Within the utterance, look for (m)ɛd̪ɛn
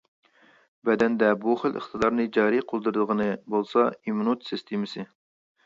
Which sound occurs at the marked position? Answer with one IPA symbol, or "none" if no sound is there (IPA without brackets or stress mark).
b